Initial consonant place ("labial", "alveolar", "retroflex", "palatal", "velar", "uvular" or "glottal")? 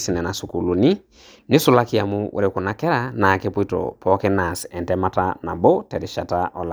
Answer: alveolar